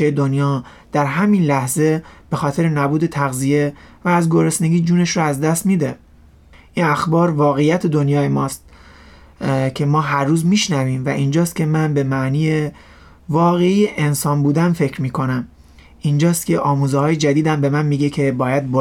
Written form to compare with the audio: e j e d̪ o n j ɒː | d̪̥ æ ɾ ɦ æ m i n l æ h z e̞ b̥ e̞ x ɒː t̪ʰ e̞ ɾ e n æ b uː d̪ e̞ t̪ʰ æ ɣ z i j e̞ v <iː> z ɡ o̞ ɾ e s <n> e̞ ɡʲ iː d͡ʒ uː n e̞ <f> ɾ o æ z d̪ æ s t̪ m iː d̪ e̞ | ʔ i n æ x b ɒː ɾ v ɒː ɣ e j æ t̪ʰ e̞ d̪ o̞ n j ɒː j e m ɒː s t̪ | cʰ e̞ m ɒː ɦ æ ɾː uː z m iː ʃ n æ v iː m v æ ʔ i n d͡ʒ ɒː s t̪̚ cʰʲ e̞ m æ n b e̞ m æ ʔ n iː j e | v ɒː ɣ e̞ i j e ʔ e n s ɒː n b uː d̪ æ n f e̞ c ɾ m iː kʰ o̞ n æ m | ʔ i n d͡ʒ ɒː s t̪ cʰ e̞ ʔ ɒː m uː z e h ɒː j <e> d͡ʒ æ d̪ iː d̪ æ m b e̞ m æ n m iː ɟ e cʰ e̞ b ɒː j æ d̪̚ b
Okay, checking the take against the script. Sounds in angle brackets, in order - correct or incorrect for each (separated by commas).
incorrect, correct, incorrect, correct